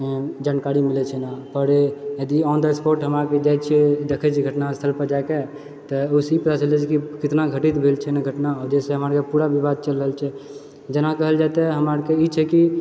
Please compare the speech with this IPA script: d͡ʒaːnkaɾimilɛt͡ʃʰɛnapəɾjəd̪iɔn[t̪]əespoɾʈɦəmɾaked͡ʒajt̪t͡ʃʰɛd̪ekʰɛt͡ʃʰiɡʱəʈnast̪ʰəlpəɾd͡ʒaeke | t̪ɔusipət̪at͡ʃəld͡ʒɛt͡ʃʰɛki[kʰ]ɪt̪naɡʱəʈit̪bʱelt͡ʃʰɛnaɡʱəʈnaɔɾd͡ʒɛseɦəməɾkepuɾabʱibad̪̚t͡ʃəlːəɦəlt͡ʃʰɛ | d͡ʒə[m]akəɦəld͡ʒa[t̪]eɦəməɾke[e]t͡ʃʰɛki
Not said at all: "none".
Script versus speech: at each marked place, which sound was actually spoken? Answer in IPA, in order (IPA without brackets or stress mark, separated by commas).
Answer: d̪, k, n, t̪, i